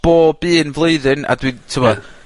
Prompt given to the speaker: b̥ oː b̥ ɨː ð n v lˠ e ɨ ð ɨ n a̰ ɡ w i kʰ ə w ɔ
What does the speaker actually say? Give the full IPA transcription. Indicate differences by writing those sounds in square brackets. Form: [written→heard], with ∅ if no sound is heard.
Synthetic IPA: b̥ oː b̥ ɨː [ð→∅] n v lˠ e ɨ ð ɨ n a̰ [ɡ→d] w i [kʰ→tʰ] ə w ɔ